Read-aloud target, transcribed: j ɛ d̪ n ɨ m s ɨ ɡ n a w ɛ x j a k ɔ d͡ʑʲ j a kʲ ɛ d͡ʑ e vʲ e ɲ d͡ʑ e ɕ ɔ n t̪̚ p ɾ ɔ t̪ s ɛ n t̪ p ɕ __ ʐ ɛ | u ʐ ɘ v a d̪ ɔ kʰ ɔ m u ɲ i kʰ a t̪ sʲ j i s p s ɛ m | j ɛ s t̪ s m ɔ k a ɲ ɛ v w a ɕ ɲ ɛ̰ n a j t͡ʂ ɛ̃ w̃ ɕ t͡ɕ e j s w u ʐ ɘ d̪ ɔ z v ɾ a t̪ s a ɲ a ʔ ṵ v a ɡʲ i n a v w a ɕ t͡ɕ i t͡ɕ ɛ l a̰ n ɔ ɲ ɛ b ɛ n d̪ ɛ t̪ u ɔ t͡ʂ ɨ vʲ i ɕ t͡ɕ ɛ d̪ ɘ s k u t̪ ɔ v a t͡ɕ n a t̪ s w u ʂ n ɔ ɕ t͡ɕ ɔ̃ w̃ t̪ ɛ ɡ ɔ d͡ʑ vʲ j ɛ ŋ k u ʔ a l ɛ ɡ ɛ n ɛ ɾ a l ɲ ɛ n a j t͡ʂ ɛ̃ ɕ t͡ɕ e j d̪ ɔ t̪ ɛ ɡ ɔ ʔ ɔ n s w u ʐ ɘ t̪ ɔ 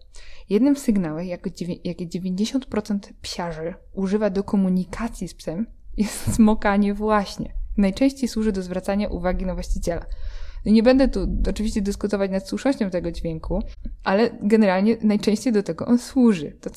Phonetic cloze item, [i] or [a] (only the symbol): a